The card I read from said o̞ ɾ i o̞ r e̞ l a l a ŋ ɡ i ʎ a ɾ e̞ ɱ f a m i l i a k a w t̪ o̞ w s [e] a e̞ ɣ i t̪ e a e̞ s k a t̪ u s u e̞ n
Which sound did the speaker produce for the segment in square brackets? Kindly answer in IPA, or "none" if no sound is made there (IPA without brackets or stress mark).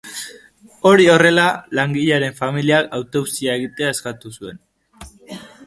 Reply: i